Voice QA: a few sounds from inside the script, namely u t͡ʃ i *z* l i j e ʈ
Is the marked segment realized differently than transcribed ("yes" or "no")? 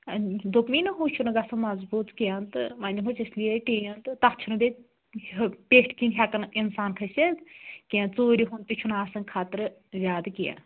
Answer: yes